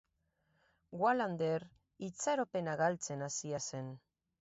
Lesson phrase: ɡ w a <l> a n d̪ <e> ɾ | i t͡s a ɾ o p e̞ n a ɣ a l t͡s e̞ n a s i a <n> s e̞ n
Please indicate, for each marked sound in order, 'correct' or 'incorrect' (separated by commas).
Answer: correct, correct, incorrect